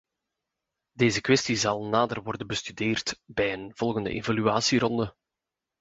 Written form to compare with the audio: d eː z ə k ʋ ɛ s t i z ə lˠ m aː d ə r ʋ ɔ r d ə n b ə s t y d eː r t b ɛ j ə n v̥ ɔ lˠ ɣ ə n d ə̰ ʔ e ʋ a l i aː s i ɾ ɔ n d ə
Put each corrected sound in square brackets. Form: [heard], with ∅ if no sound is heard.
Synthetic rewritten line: d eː z ə k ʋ ɛ s t i z [ɑ] lˠ [n] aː d ə r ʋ ɔ r d ə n b ə s t y d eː r t b ɛ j ə n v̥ ɔ lˠ ɣ ə n d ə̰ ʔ e [v] a l [y] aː s i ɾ ɔ n d ə